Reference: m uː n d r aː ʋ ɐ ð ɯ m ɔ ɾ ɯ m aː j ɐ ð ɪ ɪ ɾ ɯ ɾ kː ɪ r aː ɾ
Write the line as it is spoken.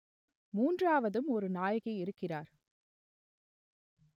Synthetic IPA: m uː n d r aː ʋ ɐ ð ɯ m ɔ ɾ ɯ n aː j ɐ ɣ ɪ ɪ ɾ ɯ kː ɪ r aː ɾ

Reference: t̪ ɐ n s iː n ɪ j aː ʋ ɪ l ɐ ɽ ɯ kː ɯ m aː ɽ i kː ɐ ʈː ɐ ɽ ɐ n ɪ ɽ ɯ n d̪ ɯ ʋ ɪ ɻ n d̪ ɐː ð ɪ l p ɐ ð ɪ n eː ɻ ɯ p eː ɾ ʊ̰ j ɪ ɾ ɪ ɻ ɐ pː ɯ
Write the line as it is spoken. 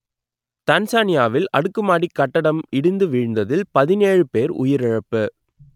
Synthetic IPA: t̪ ɐ n s aː n ɪ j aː ʋ ɪ l ɐ ɽ ɯ kː ɯ m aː ɽ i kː ɐ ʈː ɐ ɽ ɐ m ɪ ɽ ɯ n d̪ ɯ ʋ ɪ ɻ n d̪ ɐ ð ɪ l p ɐ ð ɪ n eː ɻ ɯ p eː ɾ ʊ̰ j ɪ ɾ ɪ ɻ ɐ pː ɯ

